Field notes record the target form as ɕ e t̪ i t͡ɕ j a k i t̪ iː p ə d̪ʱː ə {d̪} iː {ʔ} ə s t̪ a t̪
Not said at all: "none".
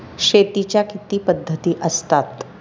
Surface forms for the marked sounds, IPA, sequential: t̪, ʔ

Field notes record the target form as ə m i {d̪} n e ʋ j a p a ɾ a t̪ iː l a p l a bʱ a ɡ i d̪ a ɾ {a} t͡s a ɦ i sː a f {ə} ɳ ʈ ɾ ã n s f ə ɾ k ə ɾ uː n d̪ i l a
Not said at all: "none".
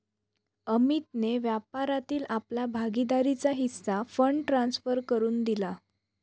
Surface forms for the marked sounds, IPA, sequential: t̪, i, ə

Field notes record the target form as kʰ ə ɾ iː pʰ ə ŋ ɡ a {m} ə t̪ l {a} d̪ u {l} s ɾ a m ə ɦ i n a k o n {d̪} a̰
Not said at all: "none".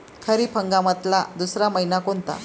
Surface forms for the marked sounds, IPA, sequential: m, a, none, t̪

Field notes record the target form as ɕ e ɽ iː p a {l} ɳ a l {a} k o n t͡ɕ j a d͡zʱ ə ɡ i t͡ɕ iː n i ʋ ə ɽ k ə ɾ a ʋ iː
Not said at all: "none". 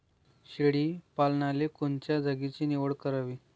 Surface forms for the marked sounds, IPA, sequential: l, e

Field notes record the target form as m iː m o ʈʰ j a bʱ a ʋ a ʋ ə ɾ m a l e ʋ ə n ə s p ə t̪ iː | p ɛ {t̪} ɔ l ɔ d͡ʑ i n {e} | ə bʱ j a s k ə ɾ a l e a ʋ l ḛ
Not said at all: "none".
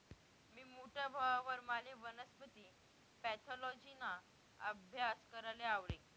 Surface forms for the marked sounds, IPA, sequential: t̪ʰ, a

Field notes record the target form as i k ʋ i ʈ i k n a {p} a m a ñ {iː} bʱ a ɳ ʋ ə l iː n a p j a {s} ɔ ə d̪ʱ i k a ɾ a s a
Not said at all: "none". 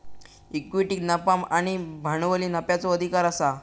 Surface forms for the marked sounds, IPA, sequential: p, i, t͡s

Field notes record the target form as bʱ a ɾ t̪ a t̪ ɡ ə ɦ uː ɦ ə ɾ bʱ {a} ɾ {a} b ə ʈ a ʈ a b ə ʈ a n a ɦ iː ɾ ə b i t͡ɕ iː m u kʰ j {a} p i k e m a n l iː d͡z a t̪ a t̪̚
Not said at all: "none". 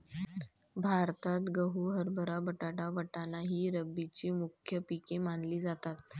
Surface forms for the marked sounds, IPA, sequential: ə, a, ə

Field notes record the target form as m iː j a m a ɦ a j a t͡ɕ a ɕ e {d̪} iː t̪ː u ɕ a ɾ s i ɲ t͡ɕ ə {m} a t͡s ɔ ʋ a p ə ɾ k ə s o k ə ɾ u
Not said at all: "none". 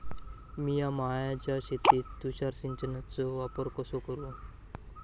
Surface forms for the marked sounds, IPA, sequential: t̪, n

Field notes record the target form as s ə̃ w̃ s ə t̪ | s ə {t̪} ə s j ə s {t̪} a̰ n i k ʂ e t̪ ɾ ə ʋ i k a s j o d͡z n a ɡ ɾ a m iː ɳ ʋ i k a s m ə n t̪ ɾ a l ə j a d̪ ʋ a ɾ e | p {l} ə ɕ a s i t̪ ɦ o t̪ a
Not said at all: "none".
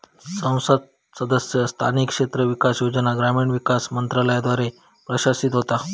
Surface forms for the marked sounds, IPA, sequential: d̪, t̪ʰ, ɾ

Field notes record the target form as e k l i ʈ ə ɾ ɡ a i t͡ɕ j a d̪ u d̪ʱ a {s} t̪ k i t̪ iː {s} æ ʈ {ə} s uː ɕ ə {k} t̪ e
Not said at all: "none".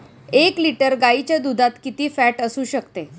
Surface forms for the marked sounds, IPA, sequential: none, f, ə, k

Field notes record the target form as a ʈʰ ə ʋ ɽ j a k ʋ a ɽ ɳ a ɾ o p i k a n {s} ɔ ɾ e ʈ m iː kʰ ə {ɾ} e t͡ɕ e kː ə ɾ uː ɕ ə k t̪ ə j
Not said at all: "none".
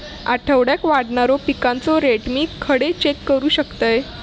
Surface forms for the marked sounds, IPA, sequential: t͡s, ɽ

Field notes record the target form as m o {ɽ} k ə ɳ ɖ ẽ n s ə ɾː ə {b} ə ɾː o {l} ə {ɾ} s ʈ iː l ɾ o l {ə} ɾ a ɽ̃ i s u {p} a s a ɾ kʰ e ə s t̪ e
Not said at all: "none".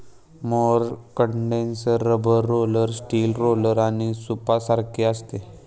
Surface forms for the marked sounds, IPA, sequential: ɾ, b, l, ɾ, ə, p

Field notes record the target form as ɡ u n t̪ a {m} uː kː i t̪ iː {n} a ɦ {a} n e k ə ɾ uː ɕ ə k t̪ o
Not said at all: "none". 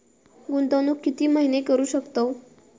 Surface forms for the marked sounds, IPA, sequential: n, m, i

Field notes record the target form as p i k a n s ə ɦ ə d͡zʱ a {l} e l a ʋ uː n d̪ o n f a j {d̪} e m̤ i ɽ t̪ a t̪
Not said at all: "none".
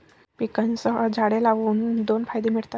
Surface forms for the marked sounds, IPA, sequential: ɽ, d̪

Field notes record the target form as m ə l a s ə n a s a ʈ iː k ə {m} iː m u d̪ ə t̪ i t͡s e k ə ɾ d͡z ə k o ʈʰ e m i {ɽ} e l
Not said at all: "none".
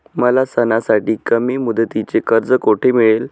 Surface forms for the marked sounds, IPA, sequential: m, ɭ

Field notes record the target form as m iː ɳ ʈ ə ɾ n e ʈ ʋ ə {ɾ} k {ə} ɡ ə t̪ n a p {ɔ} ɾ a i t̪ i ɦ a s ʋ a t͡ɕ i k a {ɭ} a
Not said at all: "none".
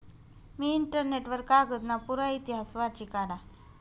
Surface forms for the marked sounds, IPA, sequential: ɾ, a, u, ɽ

